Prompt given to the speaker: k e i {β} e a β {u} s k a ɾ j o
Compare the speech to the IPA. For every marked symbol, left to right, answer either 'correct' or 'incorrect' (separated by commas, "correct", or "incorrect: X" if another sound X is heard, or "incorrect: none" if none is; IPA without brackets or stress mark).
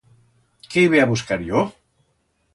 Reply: correct, correct